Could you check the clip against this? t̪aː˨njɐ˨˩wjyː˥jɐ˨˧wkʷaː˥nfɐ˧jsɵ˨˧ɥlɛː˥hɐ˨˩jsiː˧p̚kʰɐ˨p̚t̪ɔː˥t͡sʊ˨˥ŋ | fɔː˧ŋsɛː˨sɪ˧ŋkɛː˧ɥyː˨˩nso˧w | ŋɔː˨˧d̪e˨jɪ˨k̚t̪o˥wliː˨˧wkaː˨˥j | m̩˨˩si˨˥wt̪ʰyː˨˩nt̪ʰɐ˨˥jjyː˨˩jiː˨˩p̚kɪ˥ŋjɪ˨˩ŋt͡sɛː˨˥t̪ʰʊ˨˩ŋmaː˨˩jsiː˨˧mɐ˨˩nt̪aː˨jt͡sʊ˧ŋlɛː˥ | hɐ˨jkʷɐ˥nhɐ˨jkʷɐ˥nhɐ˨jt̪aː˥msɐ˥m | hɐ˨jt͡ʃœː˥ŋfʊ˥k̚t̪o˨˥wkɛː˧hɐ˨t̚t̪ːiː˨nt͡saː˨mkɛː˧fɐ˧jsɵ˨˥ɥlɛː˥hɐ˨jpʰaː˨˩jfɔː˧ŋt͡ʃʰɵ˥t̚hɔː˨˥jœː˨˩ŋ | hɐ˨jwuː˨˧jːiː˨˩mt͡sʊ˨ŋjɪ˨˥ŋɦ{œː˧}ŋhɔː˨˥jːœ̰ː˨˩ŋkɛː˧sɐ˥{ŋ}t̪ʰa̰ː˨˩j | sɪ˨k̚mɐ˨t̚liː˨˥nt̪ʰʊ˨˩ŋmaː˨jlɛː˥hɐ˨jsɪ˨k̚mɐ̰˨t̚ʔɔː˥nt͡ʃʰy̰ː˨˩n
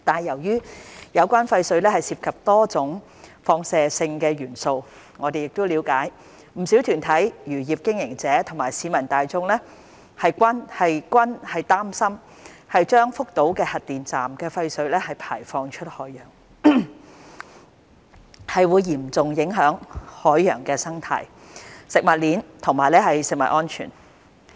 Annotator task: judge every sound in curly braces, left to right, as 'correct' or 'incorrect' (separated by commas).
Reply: incorrect, correct